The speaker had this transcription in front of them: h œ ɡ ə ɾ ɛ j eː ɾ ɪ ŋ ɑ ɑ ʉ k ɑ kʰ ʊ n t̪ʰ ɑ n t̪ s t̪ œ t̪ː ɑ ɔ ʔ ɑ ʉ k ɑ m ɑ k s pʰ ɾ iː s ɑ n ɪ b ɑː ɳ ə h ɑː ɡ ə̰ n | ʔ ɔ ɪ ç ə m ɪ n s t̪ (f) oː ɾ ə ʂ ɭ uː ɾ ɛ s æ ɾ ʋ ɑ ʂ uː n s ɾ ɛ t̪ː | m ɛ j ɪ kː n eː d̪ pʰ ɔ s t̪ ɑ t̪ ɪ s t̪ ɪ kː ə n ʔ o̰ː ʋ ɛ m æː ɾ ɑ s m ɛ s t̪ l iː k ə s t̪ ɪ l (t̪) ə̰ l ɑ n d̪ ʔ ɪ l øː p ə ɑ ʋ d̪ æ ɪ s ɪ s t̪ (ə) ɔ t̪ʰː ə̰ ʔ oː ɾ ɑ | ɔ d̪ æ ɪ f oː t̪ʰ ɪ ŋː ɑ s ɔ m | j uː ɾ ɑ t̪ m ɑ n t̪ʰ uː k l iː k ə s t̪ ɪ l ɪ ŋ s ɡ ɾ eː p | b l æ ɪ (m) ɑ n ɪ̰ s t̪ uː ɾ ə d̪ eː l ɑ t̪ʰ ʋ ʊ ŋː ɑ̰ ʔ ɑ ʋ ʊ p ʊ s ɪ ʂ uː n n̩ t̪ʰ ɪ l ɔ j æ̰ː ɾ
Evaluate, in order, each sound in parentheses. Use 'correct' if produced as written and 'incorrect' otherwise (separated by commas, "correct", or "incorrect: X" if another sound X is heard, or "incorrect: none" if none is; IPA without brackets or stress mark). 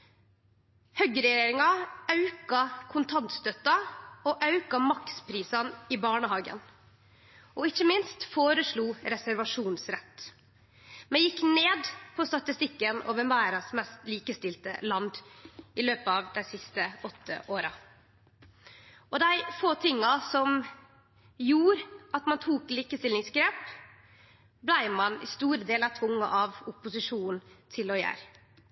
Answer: correct, correct, correct, correct